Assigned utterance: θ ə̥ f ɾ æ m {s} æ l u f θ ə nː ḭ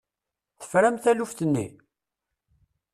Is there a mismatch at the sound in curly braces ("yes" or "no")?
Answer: yes